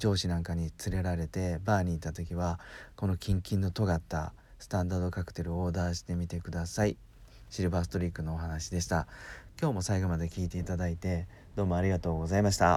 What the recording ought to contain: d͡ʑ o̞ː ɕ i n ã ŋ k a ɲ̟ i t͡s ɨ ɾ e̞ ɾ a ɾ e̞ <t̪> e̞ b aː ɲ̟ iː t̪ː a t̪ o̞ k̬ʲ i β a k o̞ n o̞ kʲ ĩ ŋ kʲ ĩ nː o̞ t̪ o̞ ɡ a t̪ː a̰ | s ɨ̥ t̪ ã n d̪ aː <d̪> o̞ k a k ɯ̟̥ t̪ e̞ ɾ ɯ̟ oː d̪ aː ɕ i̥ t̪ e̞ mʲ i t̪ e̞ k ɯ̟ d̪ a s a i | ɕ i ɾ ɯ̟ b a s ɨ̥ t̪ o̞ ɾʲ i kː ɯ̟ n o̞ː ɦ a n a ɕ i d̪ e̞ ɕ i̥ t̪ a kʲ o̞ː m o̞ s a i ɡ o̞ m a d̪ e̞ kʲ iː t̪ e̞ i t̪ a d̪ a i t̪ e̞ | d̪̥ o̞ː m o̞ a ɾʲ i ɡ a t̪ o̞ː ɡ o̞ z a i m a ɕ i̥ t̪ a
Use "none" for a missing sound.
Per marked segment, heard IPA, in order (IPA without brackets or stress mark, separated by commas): t̪, d̪